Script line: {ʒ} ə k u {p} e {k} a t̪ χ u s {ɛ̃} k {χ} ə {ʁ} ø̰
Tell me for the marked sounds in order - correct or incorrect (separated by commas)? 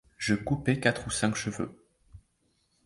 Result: correct, correct, correct, correct, incorrect, incorrect